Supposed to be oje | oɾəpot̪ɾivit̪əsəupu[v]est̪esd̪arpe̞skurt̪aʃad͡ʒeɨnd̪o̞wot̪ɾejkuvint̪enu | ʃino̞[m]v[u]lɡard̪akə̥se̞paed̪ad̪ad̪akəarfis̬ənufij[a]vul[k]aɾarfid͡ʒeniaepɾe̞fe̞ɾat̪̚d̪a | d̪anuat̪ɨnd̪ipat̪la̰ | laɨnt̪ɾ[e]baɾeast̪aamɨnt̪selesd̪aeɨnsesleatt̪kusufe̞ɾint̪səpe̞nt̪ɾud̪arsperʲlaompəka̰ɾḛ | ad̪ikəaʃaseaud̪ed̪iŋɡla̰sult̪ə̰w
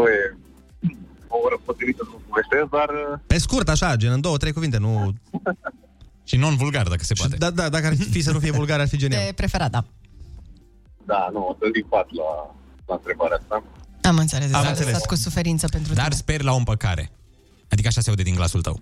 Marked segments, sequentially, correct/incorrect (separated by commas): correct, incorrect, correct, incorrect, incorrect, correct